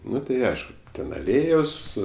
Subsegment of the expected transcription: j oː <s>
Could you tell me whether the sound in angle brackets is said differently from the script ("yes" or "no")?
no